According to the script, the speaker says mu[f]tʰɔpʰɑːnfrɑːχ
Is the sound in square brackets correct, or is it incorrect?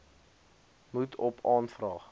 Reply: incorrect